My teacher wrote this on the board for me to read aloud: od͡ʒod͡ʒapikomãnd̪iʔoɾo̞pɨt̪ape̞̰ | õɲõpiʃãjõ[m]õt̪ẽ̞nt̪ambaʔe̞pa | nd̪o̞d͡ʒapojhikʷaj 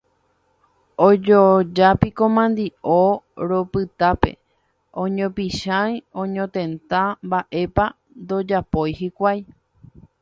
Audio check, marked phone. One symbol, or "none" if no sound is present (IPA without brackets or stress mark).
ɲ